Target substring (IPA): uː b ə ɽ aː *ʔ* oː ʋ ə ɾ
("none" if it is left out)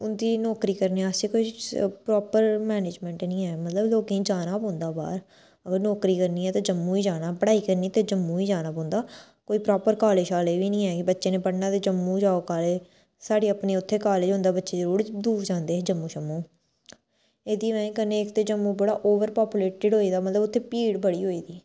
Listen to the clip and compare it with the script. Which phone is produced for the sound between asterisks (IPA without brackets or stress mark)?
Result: ʔ